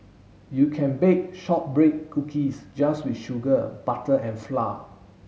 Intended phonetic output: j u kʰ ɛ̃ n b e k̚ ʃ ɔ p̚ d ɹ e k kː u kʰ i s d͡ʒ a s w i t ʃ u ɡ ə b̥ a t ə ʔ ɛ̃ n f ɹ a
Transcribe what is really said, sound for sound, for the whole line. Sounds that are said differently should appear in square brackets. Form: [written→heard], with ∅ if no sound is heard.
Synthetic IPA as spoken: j u kʰ ɛ̃ n b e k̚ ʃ ɔ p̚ [d→b] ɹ e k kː u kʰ i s d͡ʒ a s w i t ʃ u ɡ ə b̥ a t ə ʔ ɛ̃ n f [ɹ→l] a